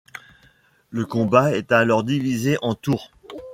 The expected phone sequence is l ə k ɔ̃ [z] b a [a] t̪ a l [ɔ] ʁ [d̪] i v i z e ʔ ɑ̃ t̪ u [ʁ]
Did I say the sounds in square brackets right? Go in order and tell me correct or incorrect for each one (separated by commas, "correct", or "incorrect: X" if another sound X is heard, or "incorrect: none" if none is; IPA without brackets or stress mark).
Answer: incorrect: none, incorrect: ɛ, correct, correct, correct